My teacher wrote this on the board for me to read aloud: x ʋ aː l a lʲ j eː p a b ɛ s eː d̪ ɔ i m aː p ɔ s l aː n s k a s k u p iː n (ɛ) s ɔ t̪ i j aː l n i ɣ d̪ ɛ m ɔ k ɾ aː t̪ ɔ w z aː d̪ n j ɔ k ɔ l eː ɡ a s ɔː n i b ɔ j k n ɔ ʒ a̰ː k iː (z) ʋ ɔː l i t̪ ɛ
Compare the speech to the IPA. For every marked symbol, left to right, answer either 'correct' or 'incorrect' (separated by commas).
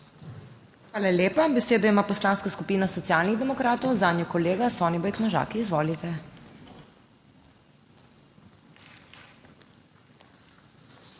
incorrect, correct